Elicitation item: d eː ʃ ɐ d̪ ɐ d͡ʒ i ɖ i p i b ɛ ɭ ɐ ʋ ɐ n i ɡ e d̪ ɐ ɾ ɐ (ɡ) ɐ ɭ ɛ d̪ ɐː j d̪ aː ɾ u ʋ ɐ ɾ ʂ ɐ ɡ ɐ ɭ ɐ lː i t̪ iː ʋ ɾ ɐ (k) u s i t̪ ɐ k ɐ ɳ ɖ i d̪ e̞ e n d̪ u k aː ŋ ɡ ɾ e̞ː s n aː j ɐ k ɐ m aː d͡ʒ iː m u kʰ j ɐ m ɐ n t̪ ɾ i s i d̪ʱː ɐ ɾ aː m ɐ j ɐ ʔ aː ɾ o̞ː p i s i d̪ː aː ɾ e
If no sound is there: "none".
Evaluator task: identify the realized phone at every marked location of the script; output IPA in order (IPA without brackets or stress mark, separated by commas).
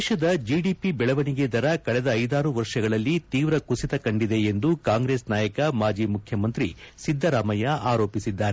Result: k, k